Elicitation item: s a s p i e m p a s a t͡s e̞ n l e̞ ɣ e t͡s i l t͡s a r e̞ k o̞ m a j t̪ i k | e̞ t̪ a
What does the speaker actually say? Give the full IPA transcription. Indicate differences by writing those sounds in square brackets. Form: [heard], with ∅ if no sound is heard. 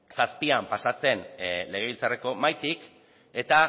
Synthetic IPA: s a s p i [a] m p a s a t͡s e̞ n l e̞ ɣ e [∅] i l t͡s a r e̞ k o̞ m a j t̪ i k | e̞ t̪ a